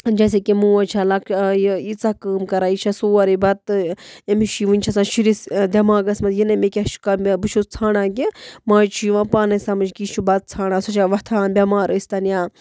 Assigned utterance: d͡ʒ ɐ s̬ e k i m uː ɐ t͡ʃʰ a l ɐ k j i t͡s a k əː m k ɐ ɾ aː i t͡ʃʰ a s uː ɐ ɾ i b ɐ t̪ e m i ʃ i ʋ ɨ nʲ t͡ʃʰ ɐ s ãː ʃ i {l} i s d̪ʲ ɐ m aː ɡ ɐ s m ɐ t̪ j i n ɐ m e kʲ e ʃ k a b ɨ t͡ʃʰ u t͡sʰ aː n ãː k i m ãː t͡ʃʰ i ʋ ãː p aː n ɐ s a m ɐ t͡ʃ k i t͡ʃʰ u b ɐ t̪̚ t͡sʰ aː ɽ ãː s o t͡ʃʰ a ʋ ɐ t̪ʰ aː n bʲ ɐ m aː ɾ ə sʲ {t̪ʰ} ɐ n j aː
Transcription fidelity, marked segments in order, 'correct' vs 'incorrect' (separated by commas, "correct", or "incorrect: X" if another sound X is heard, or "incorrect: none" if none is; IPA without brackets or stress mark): incorrect: ɾ, incorrect: t̪